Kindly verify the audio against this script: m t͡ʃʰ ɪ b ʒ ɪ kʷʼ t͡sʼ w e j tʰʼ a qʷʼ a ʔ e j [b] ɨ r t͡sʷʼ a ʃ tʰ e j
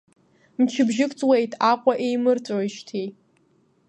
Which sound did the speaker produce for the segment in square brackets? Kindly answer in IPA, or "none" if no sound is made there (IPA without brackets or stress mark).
m